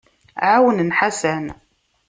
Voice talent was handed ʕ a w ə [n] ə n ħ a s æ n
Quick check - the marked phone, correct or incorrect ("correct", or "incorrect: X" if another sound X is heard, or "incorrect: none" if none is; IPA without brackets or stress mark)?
correct